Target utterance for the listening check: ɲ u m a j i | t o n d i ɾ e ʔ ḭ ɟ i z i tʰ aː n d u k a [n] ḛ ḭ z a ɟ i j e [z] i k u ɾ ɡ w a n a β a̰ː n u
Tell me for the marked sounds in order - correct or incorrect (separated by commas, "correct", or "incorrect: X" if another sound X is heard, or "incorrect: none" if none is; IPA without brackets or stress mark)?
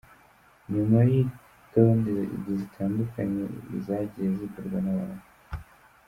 incorrect: ɲ, correct